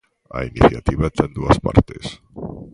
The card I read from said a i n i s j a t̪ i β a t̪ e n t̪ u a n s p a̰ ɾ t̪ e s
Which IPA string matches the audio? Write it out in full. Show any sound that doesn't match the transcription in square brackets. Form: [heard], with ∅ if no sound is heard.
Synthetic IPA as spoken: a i n i [θ] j a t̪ i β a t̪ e n [d̪] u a [∅] s p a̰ ɾ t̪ e s